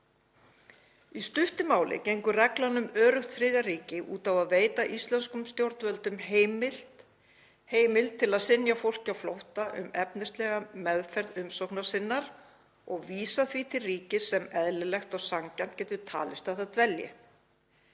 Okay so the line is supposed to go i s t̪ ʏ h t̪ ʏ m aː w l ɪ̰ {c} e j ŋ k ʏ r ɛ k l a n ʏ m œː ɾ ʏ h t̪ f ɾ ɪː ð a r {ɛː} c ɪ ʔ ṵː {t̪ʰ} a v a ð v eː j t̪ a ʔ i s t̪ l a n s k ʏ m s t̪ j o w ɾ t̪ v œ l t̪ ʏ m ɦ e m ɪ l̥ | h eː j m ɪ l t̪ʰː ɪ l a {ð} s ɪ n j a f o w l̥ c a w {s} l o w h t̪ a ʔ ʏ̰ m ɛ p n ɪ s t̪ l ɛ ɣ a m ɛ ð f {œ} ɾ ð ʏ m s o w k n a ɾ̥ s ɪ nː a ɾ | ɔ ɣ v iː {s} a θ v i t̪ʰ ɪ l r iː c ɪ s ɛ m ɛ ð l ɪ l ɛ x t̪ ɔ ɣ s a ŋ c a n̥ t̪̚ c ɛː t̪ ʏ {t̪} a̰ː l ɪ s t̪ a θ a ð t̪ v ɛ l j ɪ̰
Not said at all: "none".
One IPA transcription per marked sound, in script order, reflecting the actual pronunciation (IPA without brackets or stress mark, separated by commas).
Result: c, iː, t̪, ð, f, ɛ, s, t̪ʰ